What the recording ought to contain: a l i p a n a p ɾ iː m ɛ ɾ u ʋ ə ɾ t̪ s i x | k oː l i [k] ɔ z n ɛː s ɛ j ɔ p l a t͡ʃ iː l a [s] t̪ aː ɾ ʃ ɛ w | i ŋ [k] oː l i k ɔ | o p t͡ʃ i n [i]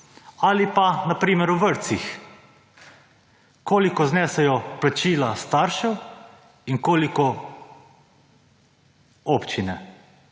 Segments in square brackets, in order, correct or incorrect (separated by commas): correct, correct, correct, incorrect